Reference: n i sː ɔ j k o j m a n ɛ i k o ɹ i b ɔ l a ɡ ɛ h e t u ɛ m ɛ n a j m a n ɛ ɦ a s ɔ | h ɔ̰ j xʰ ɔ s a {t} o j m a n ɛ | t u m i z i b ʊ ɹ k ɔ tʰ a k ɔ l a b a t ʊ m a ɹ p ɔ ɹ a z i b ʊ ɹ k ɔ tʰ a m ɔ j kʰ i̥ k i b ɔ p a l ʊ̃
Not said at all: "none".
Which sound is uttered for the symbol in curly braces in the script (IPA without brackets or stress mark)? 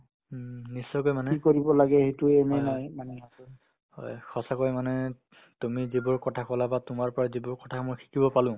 k